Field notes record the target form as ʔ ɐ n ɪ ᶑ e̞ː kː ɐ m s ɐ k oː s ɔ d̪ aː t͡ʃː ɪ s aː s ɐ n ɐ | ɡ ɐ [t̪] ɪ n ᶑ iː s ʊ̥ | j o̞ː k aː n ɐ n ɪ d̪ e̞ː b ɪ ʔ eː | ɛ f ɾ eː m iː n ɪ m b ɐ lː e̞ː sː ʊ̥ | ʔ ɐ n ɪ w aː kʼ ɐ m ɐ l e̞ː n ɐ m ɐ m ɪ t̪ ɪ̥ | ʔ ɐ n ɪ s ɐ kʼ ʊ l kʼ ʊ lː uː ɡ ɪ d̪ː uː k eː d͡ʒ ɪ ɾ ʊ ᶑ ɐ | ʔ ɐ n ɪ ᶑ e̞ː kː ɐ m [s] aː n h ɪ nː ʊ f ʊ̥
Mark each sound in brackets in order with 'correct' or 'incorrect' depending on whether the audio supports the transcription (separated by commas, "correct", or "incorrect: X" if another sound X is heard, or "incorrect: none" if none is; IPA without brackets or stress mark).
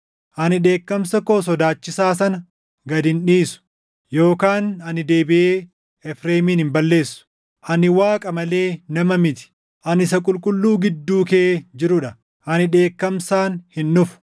incorrect: d̪, correct